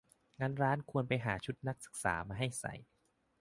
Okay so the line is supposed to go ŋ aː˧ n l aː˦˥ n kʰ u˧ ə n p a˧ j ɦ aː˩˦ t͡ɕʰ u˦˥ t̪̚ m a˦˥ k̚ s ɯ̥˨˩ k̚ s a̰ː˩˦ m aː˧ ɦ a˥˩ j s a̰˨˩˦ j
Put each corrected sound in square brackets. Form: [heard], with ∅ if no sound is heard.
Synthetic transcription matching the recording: ŋ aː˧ n [ɾ] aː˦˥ n kʰ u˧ ə n p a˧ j ɦ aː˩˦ t͡ɕʰ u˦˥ t̪̚ [n] a˦˥ k̚ s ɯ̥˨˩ k̚ s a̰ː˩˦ m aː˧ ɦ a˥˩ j s a̰˨˩˦ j